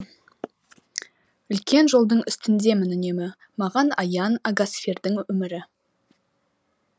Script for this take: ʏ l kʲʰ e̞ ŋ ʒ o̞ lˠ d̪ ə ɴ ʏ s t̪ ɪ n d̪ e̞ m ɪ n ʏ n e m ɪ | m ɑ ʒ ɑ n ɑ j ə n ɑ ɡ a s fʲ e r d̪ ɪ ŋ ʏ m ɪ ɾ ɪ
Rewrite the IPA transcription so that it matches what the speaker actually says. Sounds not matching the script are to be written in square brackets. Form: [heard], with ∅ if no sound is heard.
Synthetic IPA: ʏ l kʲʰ e̞ [n] ʒ o̞ lˠ d̪ ə ɴ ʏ s t̪ ɪ n d̪ e̞ m ɪ n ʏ n e m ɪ | m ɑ [ʁ] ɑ n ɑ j [ɑ] n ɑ ɡ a s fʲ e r d̪ ɪ ŋ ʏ m ɪ ɾ ɪ